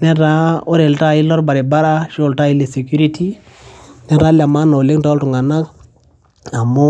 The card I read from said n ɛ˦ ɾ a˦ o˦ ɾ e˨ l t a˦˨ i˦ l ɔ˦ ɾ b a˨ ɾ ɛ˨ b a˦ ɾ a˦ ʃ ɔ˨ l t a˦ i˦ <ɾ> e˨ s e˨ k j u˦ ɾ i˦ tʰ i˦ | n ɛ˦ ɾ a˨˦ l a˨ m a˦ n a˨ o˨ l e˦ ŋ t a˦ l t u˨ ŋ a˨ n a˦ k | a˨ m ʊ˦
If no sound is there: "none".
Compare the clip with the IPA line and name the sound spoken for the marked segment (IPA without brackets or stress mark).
l